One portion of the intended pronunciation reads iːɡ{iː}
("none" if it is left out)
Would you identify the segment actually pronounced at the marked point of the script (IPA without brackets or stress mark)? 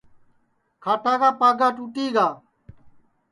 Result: aː